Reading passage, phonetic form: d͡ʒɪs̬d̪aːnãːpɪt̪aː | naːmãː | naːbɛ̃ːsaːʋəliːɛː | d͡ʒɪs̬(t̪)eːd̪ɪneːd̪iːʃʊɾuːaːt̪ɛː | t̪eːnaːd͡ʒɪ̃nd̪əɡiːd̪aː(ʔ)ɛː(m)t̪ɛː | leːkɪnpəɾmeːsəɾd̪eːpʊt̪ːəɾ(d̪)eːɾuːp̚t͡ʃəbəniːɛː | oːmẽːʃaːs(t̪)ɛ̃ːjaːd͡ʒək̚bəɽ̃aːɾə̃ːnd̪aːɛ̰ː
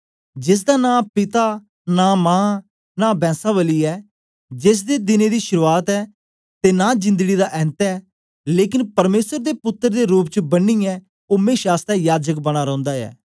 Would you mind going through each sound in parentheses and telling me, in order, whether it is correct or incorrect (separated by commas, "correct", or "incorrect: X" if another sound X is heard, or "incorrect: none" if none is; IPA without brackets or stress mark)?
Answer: incorrect: d̪, correct, incorrect: n, correct, correct